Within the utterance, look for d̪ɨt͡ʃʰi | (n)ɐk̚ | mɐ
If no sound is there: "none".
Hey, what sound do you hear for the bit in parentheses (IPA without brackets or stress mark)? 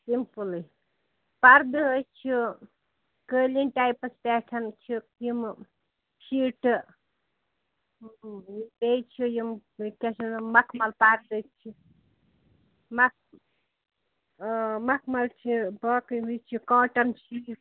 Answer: m